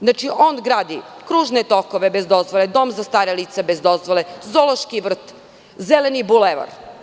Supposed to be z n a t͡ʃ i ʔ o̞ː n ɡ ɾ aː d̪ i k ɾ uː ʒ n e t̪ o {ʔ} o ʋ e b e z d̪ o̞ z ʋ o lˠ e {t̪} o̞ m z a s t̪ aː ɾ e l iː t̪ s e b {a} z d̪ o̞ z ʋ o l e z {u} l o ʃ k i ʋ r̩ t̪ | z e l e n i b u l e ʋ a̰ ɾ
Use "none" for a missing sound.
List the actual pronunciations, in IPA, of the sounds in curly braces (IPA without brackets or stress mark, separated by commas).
k, d̪, e, o